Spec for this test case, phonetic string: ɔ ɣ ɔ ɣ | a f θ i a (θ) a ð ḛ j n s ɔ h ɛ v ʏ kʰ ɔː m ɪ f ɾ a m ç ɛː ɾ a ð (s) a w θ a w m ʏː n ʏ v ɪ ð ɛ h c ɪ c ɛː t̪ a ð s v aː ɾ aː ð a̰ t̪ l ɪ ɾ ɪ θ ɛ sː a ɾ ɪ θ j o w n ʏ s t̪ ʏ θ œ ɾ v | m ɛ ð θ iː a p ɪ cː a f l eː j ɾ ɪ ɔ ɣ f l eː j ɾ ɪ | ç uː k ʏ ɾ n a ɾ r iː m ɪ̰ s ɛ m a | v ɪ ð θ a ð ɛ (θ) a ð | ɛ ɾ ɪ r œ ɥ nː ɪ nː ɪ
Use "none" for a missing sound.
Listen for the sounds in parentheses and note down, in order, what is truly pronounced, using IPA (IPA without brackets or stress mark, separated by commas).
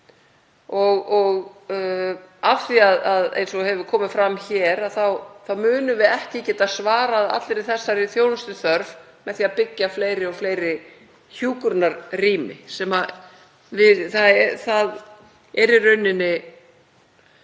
ð, θ, θ